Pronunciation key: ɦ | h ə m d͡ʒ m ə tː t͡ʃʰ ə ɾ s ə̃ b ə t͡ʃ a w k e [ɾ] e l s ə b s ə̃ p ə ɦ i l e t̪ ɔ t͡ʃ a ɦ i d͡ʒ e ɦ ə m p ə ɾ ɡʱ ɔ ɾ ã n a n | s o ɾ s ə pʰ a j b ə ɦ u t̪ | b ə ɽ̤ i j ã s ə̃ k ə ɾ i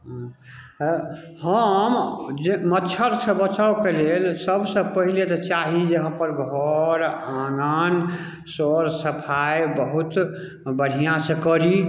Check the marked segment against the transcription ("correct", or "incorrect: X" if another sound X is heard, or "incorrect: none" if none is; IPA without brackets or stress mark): incorrect: l